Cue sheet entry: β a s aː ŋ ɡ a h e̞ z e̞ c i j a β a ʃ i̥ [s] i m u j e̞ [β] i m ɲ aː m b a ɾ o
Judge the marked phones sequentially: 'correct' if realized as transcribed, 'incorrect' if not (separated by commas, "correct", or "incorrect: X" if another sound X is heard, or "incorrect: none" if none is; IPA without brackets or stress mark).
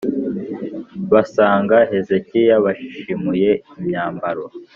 incorrect: ʃ, incorrect: none